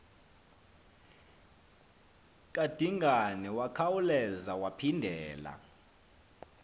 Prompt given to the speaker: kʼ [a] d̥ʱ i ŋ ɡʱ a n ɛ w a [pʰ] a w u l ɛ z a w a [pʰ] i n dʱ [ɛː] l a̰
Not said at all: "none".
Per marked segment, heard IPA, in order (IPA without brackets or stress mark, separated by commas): a, kʰ, pʰ, ɛː